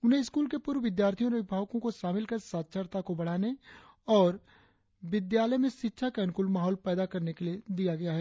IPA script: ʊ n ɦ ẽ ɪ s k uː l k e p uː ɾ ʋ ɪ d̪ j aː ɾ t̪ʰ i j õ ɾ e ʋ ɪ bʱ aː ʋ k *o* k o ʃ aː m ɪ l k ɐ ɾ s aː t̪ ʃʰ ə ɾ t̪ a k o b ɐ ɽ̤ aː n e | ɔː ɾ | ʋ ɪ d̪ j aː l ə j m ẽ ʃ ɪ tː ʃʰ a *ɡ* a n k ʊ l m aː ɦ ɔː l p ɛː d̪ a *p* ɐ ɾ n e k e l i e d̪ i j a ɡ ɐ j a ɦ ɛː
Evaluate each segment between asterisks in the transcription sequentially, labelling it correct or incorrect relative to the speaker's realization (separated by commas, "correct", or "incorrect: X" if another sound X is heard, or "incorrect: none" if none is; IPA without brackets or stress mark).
incorrect: õ, incorrect: k, incorrect: k